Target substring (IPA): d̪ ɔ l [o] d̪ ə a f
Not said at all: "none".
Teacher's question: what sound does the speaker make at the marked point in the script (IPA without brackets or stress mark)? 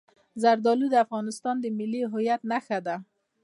u